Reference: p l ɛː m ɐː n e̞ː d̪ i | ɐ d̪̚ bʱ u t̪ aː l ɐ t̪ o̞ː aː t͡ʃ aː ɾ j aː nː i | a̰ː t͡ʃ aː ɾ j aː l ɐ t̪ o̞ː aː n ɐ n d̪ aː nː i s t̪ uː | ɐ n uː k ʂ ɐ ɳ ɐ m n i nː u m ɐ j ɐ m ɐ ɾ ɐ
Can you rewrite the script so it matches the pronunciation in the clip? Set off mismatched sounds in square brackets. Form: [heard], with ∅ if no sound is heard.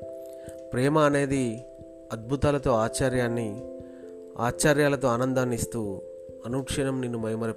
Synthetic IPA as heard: p [ɾ] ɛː m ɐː n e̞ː d̪ i | ɐ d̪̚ bʱ u t̪ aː l ɐ t̪ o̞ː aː t͡ʃ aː ɾ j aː nː i | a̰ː t͡ʃ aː ɾ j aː l ɐ t̪ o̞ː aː n ɐ n d̪ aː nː i s t̪ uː | ɐ n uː k ʂ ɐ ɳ ɐ m n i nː u m ɐ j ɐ m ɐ ɾ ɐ